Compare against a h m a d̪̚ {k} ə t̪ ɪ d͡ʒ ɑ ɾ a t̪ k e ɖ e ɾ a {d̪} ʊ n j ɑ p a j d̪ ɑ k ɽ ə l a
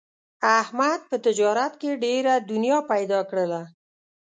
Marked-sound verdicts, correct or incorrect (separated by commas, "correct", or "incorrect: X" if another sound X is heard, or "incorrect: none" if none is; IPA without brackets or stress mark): incorrect: p, correct